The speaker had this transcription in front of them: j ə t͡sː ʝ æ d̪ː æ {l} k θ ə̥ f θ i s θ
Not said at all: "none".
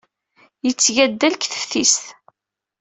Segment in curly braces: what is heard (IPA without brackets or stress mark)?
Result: l